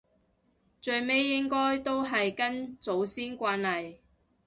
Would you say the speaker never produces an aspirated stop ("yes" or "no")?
yes